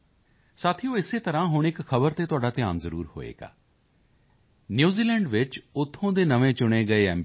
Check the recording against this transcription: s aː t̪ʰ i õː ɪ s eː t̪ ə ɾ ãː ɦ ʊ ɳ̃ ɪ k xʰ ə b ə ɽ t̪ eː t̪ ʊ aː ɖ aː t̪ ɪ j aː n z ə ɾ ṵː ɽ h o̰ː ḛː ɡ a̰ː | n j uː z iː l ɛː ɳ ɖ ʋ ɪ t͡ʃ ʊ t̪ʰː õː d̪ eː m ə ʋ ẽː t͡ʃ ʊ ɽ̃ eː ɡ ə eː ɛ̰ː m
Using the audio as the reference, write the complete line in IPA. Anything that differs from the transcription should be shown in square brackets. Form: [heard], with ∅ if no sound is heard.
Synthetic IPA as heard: s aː t̪ʰ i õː ɪ s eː t̪ ə ɾ ãː ɦ ʊ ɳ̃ ɪ k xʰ ə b ə [ɾ] t̪ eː t̪ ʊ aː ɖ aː t̪ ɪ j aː n z ə ɾ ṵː [ɾ] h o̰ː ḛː ɡ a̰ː | n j uː z iː l ɛː ɳ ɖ ʋ ɪ t͡ʃ ʊ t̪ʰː õː d̪ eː [n] ə ʋ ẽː t͡ʃ ʊ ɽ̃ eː ɡ ə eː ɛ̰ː m